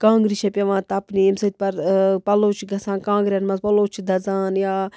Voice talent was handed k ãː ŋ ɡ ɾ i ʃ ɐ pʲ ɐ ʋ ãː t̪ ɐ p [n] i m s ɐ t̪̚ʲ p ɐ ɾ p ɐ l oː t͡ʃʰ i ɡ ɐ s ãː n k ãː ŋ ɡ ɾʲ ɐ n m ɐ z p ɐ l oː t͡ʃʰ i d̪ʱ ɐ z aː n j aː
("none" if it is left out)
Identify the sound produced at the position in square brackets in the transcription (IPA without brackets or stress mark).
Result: n